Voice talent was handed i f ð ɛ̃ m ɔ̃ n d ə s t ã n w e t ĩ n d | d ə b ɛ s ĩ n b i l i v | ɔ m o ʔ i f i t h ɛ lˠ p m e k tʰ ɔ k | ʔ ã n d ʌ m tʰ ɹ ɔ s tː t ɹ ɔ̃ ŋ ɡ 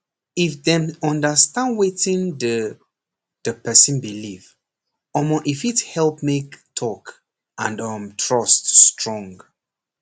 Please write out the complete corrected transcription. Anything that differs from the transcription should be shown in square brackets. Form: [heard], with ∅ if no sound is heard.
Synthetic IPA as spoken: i f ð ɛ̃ m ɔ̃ n d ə s t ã n w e t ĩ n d | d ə [p] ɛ s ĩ n b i l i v | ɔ m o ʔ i f i t h ɛ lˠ p m e k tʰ ɔ k | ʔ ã n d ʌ m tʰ ɹ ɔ s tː t ɹ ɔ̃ ŋ ɡ